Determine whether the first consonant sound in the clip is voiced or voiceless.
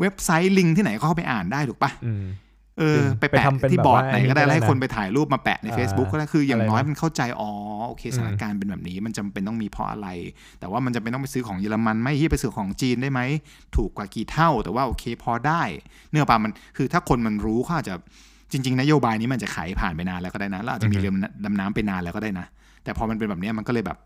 voiced